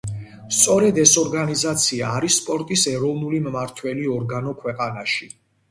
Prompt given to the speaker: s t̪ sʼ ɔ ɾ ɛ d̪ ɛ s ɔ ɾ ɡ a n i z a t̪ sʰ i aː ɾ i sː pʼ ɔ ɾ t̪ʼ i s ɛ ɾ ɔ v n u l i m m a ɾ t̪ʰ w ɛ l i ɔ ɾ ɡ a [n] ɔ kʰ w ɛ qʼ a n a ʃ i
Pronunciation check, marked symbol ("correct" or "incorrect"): correct